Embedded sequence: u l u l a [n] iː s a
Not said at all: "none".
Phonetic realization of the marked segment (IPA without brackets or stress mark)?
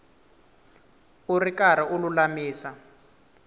m